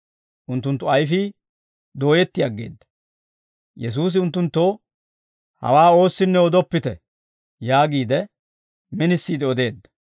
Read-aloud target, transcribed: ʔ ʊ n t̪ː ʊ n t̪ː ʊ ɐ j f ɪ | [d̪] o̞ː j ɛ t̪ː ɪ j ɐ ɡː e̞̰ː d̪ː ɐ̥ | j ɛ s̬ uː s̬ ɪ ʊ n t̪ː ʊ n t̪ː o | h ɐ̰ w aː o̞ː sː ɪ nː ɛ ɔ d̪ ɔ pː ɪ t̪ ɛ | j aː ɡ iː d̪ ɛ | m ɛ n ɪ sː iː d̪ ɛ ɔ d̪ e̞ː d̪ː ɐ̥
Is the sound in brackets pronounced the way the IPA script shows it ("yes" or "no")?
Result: yes